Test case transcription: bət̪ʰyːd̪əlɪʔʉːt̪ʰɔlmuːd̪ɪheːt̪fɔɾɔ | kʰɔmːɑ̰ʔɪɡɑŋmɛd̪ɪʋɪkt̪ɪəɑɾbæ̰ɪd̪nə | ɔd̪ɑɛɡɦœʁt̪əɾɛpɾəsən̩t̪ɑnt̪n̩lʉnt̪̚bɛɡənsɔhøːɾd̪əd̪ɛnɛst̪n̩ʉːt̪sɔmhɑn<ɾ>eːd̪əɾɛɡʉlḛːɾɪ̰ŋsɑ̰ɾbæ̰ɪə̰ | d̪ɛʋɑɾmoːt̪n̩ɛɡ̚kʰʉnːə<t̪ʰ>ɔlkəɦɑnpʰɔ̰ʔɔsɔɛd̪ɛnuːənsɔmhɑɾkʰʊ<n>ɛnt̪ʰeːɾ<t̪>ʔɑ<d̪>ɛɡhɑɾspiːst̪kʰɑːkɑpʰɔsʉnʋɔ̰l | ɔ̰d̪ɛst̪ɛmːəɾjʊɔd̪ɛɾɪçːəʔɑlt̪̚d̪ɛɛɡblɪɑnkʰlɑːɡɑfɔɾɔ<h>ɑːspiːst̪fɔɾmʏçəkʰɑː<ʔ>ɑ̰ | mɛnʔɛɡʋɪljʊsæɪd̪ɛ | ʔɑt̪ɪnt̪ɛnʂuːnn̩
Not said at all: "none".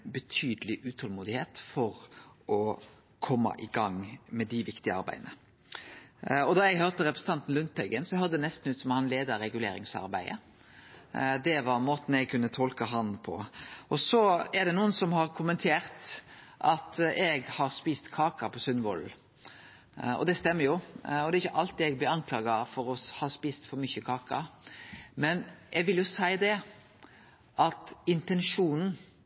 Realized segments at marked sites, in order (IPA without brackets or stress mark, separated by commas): l, t̪ʰ, m, t̪, t̪, h, k